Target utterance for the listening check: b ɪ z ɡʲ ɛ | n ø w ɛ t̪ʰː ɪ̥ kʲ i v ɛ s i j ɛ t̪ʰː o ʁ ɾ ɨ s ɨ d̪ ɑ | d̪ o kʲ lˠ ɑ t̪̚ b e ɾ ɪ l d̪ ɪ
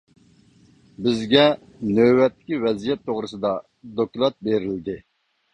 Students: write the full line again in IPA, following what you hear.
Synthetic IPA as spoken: b ɪ z ɡʲ ɛ | n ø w ɛ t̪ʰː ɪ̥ kʲ i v ɛ z i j ɛ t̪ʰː o ʁ ɾ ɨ s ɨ d̪ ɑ | d̪ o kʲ lˠ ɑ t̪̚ b e ɾ ɪ l d̪ ɪ